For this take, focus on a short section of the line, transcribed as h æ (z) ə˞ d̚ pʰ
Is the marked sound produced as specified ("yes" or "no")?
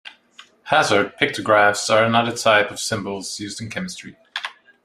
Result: yes